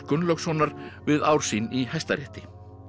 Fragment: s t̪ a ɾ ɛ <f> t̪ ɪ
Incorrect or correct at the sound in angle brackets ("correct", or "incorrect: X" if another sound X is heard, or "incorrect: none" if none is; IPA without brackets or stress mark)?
incorrect: h